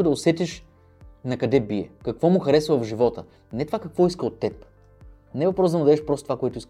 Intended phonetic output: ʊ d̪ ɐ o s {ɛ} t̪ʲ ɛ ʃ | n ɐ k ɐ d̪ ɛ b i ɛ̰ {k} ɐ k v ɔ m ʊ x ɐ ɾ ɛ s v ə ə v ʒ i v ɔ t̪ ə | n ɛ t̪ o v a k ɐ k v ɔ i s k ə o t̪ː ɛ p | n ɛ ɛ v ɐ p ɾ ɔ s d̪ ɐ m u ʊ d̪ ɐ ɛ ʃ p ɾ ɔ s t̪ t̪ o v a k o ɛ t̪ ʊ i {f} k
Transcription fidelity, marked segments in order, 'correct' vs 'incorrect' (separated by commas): correct, correct, incorrect